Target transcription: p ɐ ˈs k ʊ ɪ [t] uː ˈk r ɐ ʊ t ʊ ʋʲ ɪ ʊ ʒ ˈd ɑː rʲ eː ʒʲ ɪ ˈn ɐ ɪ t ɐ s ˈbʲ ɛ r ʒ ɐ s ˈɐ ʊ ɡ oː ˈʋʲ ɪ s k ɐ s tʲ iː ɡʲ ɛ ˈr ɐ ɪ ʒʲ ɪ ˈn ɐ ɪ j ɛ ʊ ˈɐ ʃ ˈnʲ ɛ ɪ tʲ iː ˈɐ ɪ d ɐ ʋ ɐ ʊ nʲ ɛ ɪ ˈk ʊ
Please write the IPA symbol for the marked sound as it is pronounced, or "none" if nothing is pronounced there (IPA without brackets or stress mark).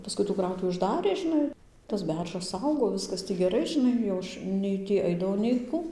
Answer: t